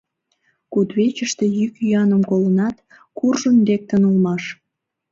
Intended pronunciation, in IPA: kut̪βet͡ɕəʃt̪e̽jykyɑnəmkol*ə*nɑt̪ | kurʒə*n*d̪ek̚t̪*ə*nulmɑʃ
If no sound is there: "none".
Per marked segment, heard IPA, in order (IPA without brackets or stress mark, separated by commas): ə, n, ə